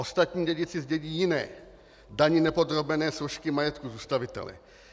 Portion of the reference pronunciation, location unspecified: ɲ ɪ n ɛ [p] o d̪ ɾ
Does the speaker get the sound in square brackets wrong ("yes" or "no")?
no